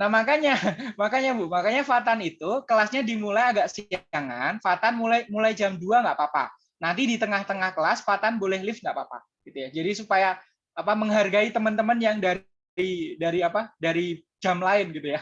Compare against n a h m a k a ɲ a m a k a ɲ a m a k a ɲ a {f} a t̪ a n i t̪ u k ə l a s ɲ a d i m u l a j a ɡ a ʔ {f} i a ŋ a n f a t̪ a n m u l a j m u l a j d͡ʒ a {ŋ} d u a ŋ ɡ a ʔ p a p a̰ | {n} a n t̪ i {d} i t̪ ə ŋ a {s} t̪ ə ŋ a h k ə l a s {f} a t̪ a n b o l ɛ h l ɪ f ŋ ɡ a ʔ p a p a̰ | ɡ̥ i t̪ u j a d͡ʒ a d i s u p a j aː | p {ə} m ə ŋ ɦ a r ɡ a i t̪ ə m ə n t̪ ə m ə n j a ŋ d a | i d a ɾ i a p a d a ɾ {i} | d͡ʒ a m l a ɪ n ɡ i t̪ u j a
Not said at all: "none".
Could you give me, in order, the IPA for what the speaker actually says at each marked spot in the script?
f, s, m, n, d, h, f, a, i

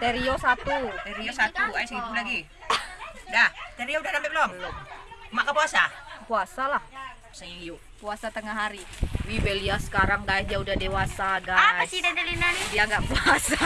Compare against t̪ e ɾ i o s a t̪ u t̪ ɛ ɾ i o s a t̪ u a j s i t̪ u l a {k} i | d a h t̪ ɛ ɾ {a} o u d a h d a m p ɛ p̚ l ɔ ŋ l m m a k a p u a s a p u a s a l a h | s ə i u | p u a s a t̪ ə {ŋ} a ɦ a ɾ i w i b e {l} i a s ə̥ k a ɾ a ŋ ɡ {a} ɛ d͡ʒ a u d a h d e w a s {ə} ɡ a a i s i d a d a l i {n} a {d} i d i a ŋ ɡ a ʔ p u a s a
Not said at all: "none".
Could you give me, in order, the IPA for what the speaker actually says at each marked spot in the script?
ɡ, i, ŋ, l, a, a, n, n

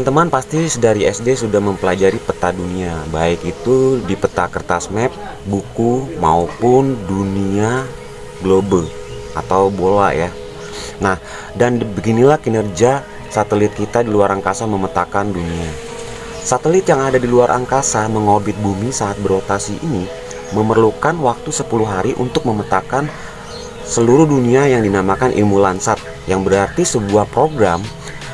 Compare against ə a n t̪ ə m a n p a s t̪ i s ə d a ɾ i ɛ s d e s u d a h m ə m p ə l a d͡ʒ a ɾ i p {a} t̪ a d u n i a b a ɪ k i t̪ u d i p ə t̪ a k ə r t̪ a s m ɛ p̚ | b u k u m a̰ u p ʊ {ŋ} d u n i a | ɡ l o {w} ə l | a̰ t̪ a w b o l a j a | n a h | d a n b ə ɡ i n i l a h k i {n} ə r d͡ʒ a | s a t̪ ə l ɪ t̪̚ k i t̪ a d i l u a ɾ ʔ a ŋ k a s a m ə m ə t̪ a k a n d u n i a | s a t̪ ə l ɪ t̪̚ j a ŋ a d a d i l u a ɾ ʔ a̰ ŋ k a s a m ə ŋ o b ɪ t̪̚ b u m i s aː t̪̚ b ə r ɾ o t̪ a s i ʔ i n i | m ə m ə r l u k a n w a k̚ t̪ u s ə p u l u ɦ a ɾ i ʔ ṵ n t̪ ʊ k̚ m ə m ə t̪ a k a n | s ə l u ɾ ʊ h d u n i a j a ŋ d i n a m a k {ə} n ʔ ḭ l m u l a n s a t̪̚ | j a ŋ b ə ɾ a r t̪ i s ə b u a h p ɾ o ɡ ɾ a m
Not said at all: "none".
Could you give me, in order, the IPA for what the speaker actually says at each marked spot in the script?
ə, n, b, n, a

